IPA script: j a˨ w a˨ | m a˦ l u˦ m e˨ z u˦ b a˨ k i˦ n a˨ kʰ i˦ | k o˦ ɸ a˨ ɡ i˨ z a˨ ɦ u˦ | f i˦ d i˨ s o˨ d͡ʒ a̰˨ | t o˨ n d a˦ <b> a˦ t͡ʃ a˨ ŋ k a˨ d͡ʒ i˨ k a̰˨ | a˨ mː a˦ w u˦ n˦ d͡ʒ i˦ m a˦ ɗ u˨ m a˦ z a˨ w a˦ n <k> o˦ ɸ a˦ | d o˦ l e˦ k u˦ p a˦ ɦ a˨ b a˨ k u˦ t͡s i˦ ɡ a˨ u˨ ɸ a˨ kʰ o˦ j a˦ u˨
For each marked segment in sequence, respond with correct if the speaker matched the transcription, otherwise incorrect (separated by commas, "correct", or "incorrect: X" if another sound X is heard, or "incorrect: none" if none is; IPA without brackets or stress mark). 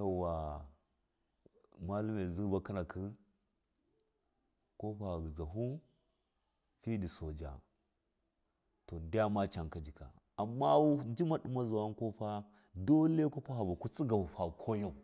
incorrect: m, correct